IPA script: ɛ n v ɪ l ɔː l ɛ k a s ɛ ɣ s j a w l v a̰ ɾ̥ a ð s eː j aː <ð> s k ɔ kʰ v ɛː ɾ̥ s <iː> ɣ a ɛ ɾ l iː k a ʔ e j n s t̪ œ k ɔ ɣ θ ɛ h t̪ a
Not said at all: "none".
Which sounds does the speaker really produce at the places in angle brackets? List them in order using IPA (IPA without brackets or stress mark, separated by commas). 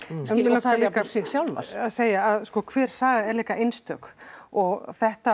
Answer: ð, aː